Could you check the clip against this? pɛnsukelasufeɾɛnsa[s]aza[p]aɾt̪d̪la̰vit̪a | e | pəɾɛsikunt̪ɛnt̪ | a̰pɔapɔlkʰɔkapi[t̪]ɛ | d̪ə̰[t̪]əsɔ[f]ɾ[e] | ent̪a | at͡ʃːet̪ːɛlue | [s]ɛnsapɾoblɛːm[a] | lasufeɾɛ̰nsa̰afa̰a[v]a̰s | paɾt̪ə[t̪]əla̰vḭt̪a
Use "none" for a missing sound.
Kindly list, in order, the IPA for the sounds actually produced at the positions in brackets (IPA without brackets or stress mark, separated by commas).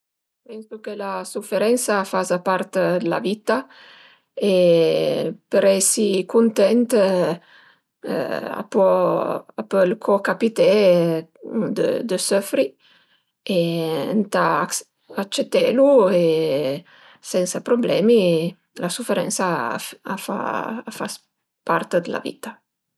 f, p, t̪, d̪, f, i, s, i, f, d̪